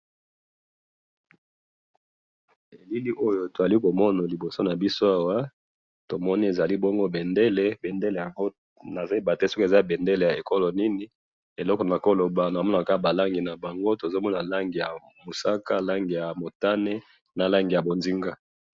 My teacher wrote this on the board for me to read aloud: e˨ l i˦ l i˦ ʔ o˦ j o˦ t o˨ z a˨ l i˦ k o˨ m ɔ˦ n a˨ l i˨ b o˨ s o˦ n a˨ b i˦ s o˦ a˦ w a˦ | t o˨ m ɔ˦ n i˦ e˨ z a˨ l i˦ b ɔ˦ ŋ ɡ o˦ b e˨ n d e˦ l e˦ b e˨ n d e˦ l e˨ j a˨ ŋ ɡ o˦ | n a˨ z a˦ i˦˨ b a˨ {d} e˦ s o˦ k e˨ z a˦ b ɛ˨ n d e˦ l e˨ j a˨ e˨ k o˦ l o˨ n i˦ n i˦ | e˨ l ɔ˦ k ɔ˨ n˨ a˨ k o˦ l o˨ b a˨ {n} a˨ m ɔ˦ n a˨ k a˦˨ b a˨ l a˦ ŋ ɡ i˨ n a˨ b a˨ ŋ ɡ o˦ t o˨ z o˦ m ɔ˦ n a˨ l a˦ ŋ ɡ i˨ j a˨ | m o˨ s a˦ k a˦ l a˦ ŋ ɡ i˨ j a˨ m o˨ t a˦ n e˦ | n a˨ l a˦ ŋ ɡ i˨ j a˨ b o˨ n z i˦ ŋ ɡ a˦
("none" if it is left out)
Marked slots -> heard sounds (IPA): t, n

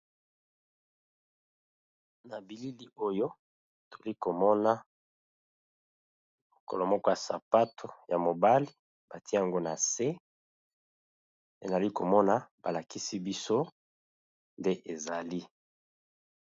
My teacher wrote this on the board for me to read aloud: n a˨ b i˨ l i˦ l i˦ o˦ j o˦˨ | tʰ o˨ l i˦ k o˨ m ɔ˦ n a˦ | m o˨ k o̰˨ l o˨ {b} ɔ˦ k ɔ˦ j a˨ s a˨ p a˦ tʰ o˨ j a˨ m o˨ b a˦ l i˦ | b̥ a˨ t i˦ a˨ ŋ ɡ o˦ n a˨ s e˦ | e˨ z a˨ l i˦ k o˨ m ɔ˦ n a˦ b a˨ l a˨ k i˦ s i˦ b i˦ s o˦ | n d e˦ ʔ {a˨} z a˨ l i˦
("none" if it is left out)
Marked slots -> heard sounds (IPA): m, e˨

